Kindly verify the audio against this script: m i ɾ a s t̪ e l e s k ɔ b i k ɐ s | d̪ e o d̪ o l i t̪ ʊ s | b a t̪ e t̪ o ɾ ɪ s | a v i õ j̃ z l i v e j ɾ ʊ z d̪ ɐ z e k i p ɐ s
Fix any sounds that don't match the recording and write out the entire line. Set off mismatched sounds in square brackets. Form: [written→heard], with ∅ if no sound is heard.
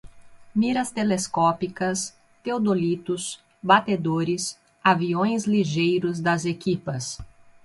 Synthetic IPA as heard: m i ɾ [a→ɐ] s t̪ e l e s k ɔ [b→p] i k ɐ s | [d̪→t̪] e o d̪ o l i t̪ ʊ s | b a t̪ e [t̪→d̪] o ɾ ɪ s | a v i õ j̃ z l i [v→ʒ] e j ɾ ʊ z d̪ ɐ z e k i p ɐ s